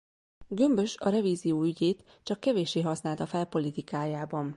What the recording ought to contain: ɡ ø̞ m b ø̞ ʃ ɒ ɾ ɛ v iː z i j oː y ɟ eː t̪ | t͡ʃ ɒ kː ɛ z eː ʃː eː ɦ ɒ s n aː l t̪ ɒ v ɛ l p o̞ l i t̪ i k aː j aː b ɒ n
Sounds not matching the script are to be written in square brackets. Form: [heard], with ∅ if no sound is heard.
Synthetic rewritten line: ɡ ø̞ m b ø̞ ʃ ɒ ɾ ɛ v iː z i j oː y ɟ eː t̪ | t͡ʃ ɒ kː ɛ [v] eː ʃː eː ɦ ɒ s n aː l t̪ ɒ [f] ɛ l p o̞ l i t̪ i k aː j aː b ɒ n